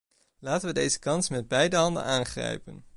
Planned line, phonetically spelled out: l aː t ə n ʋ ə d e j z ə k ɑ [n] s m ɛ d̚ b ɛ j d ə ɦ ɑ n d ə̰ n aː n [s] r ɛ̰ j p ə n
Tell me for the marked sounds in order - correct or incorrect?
correct, incorrect: χ

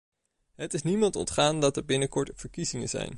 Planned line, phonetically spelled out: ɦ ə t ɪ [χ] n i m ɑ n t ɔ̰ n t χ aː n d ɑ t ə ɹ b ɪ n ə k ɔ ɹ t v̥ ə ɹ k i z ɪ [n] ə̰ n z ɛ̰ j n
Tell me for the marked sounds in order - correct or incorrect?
incorrect: s, incorrect: ŋ

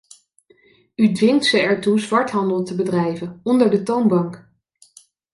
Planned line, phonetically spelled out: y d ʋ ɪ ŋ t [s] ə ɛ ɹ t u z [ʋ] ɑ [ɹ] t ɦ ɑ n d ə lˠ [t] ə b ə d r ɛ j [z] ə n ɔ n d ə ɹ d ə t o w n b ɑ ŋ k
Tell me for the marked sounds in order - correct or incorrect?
correct, correct, correct, correct, incorrect: v

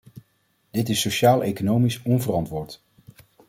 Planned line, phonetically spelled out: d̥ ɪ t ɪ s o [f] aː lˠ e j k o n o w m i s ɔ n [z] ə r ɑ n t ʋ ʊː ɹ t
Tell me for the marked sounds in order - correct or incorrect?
incorrect: ʃ, incorrect: v

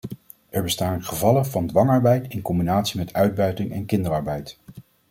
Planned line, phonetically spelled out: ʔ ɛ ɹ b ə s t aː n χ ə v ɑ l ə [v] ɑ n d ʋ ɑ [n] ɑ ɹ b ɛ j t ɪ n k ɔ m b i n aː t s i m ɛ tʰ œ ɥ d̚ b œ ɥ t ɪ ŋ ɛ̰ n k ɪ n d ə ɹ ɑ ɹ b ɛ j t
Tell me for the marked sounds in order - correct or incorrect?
correct, incorrect: ŋ

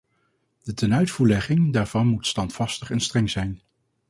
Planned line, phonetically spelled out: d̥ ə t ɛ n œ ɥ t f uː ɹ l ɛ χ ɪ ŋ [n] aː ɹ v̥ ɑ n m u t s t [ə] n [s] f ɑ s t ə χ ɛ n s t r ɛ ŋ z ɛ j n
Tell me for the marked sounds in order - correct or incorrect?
incorrect: d, incorrect: ɑ, incorrect: t

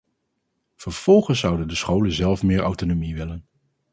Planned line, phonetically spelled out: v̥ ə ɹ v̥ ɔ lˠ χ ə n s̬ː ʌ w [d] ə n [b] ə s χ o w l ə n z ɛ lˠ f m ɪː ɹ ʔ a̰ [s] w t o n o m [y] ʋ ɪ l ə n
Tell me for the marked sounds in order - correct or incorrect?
correct, incorrect: d, incorrect: none, incorrect: i

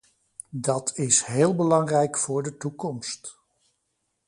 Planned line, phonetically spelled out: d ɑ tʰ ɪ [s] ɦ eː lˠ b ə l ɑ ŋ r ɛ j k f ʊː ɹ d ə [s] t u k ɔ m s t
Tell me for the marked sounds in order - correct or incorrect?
correct, incorrect: none

